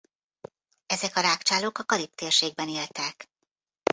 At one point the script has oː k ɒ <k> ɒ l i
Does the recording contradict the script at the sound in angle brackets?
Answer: no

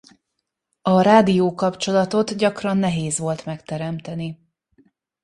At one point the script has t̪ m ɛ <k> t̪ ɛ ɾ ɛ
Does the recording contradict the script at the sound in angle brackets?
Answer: no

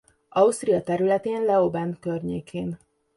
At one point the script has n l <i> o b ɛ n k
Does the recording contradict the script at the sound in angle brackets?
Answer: yes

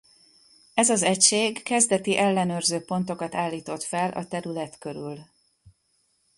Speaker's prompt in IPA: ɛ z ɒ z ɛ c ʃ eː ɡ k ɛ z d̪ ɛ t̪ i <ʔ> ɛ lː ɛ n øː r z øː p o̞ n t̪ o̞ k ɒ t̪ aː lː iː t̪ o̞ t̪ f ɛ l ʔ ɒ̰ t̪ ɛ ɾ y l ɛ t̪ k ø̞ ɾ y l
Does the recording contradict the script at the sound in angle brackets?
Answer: no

